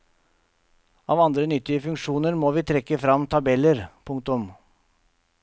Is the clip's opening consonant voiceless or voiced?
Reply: voiced